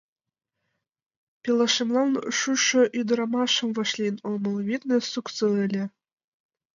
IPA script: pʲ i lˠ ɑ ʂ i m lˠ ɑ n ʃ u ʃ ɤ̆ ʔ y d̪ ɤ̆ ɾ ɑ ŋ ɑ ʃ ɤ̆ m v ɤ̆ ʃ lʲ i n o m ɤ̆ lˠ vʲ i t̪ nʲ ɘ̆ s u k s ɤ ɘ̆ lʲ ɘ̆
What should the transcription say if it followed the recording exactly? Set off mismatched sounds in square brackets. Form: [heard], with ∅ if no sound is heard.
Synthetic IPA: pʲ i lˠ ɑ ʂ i m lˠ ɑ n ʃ u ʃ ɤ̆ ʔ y d̪ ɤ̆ ɾ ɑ [m] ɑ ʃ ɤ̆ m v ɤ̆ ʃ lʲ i n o m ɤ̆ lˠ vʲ i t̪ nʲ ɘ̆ s u k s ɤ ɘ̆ lʲ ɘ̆